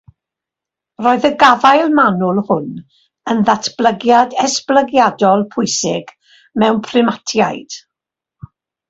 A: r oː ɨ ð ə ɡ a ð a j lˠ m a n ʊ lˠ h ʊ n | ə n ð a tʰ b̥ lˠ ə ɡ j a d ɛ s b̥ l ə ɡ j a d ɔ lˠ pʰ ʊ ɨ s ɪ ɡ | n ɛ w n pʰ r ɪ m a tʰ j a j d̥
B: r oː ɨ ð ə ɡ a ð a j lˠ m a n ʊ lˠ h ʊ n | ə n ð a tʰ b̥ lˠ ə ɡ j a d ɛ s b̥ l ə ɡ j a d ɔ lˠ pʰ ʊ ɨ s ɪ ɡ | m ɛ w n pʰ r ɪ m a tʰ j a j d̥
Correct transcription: B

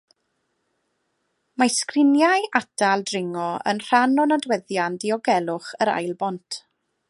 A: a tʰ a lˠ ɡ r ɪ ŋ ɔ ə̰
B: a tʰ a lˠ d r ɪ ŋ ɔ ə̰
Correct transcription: B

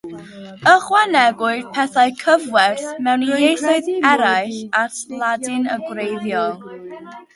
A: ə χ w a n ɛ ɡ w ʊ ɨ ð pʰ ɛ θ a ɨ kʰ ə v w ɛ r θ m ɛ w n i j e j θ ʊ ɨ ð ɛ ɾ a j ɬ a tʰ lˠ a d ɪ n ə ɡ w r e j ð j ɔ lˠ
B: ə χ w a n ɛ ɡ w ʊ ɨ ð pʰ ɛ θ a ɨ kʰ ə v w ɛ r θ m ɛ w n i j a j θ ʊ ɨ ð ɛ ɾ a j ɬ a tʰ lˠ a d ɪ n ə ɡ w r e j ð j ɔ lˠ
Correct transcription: A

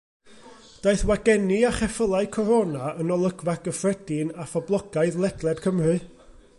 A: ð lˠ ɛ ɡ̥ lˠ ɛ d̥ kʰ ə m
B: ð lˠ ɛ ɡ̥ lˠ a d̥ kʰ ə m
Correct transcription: A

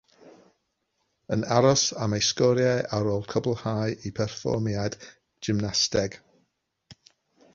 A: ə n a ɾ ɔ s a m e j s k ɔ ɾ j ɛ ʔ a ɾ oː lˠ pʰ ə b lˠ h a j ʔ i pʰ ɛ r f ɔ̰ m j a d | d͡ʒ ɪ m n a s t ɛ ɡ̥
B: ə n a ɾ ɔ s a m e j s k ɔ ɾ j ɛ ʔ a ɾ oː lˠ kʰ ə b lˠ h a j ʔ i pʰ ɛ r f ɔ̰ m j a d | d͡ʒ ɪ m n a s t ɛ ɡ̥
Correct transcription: B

